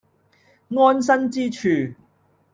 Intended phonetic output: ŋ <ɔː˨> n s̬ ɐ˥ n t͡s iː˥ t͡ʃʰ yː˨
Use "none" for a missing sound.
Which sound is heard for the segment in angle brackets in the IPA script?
ɔː˥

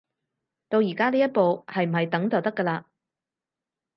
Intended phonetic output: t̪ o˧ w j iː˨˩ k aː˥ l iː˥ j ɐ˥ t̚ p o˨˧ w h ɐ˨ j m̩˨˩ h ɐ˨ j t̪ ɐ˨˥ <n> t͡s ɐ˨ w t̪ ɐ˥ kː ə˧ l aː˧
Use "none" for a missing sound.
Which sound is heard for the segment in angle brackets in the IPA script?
ŋ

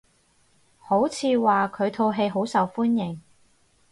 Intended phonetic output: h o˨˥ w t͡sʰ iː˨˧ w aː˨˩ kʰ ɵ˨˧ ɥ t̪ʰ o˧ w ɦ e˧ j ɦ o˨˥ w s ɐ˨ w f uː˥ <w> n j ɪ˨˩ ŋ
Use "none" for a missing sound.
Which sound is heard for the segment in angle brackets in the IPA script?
none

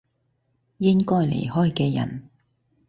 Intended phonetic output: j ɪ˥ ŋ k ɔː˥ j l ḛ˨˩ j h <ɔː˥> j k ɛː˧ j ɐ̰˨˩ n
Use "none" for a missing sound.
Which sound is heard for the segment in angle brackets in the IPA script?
ɔː˥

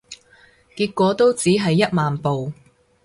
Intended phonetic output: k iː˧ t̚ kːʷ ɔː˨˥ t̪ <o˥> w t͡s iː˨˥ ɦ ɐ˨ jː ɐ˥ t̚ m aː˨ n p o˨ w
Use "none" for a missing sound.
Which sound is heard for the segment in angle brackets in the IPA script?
o˥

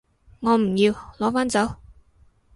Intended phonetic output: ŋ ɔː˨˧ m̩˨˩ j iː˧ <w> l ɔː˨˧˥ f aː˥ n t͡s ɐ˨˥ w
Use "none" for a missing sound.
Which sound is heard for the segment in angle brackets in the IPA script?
w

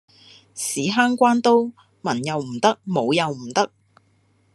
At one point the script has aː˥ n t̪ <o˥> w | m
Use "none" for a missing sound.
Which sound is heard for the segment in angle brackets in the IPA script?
o˥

